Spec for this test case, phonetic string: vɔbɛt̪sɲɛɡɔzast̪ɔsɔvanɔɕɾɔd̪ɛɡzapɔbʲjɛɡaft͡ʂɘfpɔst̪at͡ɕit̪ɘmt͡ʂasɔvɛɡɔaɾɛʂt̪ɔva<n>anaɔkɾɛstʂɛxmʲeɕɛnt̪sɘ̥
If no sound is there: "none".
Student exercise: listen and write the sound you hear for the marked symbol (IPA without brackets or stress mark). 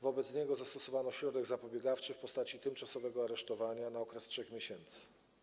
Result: ɲ